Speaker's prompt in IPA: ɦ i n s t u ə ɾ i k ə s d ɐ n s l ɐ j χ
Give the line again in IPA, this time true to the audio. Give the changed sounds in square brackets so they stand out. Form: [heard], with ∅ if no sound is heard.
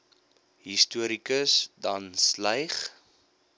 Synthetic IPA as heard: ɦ i [∅] s t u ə ɾ i k ə s d ɐ n s l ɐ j χ